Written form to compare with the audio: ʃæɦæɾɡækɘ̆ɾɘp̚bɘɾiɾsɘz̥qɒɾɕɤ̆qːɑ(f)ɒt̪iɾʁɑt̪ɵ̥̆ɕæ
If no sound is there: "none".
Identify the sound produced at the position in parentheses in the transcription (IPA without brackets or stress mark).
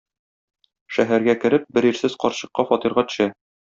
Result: f